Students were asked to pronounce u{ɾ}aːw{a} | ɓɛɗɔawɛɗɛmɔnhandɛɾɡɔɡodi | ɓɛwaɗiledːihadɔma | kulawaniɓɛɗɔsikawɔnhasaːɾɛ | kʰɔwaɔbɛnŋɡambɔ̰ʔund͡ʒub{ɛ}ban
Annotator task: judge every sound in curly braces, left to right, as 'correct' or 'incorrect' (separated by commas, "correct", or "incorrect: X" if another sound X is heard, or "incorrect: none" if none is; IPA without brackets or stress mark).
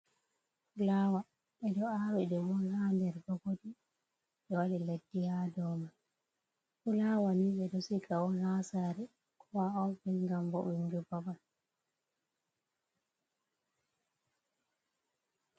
incorrect: l, correct, incorrect: a